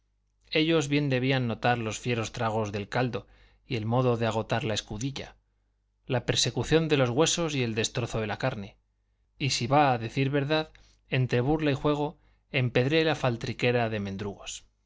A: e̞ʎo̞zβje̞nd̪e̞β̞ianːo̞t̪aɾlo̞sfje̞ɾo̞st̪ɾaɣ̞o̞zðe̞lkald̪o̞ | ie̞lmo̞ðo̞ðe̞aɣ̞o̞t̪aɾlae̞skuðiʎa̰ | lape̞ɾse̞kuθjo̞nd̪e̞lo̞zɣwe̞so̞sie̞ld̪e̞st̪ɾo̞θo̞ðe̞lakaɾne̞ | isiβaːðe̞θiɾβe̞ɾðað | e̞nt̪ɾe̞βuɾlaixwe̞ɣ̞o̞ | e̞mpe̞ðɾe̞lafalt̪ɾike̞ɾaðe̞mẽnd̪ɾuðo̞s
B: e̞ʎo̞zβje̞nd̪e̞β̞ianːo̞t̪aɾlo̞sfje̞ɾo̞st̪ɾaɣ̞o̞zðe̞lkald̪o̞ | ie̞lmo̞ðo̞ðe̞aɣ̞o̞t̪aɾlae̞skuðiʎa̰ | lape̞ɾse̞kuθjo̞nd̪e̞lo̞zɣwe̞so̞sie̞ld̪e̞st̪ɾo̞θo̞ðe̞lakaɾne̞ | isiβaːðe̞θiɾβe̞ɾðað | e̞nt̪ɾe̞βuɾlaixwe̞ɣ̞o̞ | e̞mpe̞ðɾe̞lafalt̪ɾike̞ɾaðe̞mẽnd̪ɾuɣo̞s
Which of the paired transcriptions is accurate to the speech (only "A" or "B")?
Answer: B